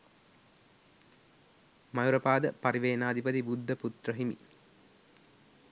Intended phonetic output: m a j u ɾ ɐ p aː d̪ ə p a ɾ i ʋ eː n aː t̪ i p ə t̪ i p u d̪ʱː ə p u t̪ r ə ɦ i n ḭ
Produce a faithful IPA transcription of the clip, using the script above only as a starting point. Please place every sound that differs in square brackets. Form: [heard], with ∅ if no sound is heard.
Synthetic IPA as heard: m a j u ɾ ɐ p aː d̪ ə p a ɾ i ʋ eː n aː [d̪] i p ə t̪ i [b] u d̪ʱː ə p u t̪ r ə ɦ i [m] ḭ